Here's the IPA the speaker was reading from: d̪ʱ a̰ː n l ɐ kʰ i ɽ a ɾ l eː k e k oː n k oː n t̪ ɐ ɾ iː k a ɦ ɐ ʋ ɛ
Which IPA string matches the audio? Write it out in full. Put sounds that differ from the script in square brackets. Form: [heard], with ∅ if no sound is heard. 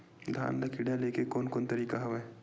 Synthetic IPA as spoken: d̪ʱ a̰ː n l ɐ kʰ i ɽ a [∅] l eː k e k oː n k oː n t̪ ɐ ɾ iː k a ɦ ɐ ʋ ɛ